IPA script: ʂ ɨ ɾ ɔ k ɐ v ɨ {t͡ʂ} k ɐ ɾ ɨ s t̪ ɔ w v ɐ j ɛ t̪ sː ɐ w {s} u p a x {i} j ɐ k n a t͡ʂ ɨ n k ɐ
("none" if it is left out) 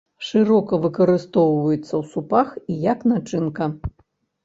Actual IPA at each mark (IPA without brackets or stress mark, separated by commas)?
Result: none, s, i